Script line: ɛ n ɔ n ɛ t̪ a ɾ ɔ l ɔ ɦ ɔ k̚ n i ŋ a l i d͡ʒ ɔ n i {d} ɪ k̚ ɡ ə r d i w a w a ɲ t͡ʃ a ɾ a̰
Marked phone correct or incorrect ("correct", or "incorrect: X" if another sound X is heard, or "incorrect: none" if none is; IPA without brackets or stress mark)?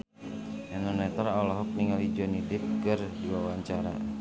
correct